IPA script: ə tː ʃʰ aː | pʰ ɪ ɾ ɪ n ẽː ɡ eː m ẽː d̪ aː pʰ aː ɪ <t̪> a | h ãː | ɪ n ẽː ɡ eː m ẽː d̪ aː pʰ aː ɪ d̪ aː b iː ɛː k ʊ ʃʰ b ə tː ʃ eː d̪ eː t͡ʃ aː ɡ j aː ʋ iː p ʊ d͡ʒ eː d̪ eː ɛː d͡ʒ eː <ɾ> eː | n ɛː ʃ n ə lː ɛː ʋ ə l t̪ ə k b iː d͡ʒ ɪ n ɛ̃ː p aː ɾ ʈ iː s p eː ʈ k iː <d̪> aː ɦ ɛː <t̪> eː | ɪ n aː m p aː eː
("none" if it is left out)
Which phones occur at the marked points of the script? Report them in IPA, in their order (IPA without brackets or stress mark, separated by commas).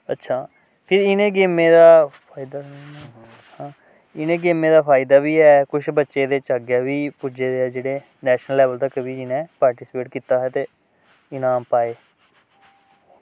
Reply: d̪, ɽ, t̪, t̪